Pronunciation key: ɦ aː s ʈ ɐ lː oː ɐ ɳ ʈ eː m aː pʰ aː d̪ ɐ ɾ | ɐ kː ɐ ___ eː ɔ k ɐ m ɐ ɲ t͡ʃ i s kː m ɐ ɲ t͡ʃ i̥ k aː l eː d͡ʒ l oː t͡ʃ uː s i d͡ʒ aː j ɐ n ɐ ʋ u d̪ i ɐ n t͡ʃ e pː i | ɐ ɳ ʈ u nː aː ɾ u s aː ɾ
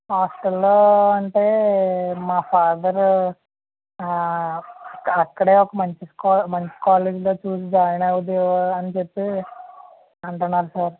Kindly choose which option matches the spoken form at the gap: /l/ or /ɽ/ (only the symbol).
ɽ